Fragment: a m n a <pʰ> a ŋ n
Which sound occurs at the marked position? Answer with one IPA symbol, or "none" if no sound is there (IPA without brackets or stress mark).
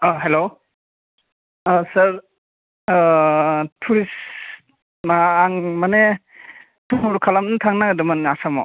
tʰ